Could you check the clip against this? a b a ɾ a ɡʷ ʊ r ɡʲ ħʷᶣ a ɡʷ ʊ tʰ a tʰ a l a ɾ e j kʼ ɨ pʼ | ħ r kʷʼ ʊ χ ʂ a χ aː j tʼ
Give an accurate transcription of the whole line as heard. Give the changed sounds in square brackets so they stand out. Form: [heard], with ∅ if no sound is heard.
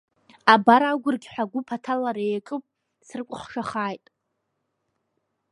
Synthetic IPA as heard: a b a ɾ a ɡʷ ʊ r ɡʲ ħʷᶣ a ɡʷ ʊ [pʰ] a tʰ a l a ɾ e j kʼ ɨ pʼ | [s] r kʷʼ ʊ χ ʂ a χ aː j tʼ